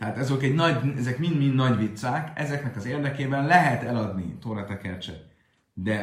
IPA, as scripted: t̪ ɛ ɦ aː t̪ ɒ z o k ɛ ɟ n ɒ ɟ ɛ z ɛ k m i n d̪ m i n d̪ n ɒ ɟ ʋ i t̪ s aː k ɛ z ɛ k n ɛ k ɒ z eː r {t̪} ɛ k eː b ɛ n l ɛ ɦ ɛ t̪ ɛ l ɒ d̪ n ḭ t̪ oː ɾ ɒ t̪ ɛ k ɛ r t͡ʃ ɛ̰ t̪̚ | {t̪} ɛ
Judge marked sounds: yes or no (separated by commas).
no, no